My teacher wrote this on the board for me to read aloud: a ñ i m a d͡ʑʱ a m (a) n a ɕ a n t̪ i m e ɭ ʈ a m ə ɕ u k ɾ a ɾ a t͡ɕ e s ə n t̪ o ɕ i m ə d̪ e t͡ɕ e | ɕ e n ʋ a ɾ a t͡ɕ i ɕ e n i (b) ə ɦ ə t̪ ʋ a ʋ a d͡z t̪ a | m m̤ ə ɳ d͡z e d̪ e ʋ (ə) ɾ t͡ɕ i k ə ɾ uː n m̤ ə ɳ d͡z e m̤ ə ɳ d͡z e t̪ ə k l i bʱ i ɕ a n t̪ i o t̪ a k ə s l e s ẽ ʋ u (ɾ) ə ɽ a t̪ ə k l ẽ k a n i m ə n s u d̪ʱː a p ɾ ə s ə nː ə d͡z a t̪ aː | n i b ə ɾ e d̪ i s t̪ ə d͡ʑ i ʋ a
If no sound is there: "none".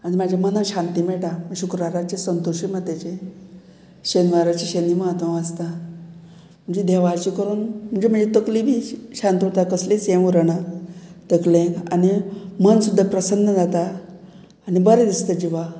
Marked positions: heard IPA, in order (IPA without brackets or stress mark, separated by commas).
ə, m, a, ɾ